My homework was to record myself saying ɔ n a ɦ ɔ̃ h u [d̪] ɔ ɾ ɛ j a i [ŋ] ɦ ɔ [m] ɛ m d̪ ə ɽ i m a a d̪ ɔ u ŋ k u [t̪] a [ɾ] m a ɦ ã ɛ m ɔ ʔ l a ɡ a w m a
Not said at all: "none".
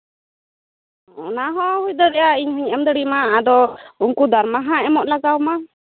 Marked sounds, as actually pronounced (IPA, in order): d̪, ɲ, ɲ, d̪, ɾ

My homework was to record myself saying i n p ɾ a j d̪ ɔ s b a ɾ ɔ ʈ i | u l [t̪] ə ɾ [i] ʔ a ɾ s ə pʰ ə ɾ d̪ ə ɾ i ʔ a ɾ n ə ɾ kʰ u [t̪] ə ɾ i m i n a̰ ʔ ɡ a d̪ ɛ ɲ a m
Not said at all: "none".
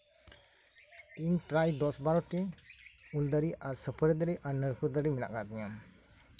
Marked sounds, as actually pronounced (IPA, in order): d̪, i, d̪

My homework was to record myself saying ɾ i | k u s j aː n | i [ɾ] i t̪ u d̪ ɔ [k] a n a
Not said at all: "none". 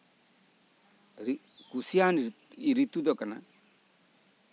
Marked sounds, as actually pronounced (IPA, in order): ɾ, k

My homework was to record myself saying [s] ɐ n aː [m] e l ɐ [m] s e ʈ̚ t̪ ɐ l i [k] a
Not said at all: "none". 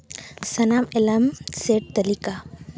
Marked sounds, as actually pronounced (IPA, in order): s, m, m, k

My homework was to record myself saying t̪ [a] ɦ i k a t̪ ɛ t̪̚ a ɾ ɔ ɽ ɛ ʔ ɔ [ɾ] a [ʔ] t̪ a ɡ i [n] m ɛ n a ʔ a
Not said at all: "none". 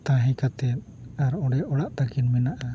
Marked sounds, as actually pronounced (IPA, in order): a, ɽ, ʔ, n

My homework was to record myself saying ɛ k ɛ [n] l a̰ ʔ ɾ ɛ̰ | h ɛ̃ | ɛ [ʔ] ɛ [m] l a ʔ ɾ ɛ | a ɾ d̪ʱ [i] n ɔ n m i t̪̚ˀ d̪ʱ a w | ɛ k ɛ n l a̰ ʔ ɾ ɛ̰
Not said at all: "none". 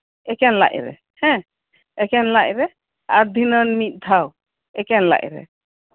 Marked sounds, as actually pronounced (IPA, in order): n, k, n, i

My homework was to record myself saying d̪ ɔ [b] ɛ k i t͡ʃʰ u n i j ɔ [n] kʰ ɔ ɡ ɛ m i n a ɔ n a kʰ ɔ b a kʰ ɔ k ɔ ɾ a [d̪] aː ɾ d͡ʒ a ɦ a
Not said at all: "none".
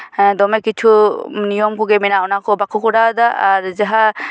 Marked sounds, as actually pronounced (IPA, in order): m, m, d̪

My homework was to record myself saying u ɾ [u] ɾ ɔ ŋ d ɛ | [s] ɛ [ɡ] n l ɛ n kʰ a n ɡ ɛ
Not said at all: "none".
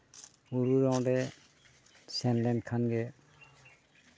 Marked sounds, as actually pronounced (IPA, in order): u, s, none

